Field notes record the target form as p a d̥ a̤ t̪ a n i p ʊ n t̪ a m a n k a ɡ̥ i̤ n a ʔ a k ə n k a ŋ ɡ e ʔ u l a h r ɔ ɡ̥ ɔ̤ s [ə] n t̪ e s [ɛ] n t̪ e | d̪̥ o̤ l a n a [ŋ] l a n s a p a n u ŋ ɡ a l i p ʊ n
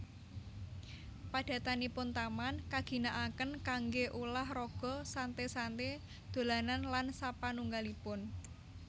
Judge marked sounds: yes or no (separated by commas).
no, no, no